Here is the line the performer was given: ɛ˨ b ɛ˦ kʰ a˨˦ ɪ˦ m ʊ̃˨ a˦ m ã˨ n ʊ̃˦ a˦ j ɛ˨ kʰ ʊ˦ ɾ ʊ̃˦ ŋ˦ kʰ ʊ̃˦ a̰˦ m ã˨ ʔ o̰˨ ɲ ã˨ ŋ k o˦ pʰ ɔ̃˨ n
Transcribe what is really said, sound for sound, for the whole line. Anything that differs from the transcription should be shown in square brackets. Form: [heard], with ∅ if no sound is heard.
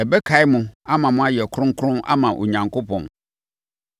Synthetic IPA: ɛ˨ b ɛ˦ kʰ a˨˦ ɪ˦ m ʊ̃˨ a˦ m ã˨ [m] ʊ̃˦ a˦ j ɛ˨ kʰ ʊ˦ ɾ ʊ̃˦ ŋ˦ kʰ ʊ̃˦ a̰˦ m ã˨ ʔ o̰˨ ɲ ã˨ ŋ k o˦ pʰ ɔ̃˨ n